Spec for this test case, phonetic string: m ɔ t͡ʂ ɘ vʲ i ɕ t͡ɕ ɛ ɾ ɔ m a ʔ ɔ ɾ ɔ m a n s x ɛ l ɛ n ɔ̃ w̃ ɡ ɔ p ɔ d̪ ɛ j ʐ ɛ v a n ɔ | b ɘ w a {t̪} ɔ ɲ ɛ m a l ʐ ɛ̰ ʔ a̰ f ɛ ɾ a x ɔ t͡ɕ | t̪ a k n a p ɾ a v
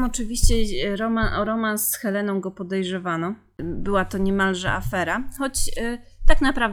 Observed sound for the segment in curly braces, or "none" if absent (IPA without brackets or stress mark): t̪